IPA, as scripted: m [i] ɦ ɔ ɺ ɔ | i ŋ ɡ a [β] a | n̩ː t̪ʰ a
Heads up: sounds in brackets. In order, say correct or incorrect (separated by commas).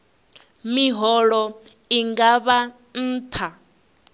correct, correct